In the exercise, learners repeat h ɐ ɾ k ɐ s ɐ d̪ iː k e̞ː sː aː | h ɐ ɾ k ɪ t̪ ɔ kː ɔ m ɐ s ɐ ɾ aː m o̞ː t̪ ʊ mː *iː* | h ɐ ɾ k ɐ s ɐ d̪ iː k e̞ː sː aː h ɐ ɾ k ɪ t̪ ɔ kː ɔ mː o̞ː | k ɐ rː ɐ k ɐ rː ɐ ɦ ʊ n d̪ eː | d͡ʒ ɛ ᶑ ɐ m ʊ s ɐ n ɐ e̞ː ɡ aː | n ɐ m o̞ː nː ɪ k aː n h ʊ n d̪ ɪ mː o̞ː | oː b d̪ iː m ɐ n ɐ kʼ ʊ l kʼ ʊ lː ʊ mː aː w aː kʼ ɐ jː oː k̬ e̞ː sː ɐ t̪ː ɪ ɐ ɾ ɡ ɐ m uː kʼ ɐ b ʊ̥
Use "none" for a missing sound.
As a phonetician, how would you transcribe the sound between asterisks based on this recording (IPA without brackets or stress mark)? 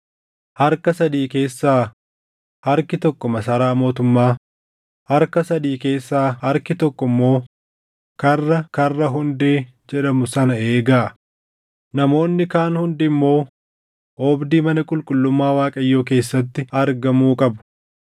aː